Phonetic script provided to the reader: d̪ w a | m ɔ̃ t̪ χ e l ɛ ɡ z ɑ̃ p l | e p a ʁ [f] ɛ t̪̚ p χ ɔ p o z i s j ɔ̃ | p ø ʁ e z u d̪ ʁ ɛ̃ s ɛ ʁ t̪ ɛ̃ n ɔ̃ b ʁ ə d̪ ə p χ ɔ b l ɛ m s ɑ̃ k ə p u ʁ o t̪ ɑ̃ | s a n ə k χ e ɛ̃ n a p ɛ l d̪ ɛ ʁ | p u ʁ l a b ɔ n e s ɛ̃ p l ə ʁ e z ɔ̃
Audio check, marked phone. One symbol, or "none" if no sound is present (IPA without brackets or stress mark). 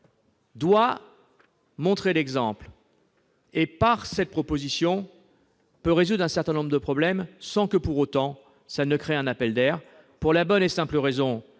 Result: s